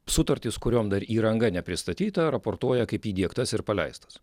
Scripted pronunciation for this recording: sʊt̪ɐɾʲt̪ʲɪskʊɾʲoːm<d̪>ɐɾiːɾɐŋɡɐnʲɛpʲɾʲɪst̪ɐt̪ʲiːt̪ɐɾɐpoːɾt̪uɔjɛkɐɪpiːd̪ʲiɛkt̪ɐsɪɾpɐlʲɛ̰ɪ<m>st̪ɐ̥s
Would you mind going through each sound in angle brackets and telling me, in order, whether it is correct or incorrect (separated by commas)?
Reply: correct, incorrect